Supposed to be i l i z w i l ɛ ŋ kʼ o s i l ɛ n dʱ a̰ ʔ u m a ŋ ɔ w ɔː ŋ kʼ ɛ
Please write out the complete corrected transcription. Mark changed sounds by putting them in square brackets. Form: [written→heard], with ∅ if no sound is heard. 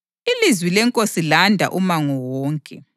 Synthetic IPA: i l i z w i l ɛ ŋ kʼ o s i l [ɛ→a] n dʱ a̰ ʔ u m a ŋ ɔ w ɔː ŋ kʼ ɛ